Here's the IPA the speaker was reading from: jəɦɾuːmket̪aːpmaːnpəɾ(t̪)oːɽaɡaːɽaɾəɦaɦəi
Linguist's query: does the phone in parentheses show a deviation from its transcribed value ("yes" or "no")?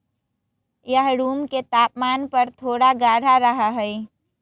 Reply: yes